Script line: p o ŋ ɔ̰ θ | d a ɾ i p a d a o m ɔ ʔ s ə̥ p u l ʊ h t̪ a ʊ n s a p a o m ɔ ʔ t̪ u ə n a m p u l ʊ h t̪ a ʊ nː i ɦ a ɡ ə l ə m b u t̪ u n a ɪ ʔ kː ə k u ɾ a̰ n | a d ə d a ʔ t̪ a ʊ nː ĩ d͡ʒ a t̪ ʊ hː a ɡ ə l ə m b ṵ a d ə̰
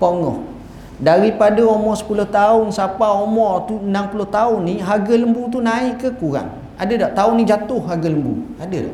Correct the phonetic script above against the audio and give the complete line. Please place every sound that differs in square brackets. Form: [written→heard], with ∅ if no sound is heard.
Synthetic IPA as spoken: p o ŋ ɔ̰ [θ→h] | d a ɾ i p a d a o m ɔ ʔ s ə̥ p u l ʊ h t̪ a ʊ n s a p a o m ɔ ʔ t̪ u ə n a m p u l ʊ h t̪ a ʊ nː i ɦ a ɡ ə l ə m b u t̪ u n a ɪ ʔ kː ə k u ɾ a̰ [n→ŋ] | a d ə d a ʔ t̪ a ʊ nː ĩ d͡ʒ a t̪ ʊ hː a ɡ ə l ə m b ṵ a d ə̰